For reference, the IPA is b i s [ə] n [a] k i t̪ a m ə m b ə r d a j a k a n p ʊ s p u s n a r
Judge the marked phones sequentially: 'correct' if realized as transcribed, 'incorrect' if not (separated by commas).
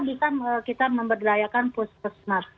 incorrect, incorrect